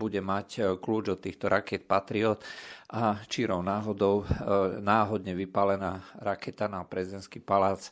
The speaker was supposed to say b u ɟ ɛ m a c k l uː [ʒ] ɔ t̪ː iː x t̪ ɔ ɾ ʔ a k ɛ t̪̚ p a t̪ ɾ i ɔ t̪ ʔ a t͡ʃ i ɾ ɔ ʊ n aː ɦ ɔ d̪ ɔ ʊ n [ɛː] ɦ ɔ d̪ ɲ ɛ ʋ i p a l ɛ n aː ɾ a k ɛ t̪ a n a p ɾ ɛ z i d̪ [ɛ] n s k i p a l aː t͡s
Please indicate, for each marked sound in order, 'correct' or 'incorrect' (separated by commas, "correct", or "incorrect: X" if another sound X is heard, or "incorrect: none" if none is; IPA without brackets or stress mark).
incorrect: d͡ʒ, incorrect: aː, correct